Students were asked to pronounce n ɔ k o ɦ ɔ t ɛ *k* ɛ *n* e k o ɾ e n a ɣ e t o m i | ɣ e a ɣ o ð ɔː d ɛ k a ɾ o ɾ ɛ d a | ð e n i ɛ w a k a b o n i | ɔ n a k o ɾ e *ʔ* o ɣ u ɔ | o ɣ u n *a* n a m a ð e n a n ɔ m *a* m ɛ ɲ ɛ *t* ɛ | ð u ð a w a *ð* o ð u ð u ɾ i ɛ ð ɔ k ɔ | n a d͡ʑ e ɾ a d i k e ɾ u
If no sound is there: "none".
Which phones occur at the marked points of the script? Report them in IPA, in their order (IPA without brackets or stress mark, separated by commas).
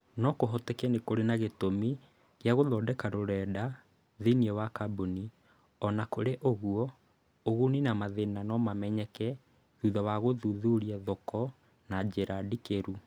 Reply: k, n, ʔ, i, a, k, ɣ